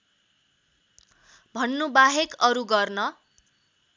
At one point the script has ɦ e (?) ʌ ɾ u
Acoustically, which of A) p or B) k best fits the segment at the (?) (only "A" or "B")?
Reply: B